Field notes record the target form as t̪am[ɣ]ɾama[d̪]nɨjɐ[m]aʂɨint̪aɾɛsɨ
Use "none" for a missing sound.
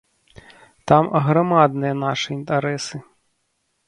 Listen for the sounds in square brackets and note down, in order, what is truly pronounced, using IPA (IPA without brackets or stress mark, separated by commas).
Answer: ɣ, d̪, n